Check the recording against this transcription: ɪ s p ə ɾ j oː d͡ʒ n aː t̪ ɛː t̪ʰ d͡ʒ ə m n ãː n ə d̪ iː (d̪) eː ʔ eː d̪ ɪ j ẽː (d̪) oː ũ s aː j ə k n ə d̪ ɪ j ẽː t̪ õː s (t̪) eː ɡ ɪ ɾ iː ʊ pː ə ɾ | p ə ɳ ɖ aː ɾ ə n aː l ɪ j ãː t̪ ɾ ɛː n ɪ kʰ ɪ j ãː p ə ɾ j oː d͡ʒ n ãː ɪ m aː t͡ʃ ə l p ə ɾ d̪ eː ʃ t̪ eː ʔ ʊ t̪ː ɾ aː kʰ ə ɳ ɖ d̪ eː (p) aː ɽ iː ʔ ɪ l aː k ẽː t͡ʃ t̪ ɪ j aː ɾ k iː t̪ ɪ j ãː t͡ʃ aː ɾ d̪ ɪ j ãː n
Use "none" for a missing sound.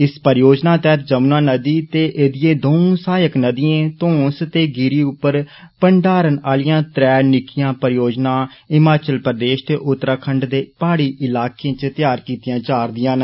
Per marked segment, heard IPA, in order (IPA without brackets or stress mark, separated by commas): t̪, d̪, t̪, p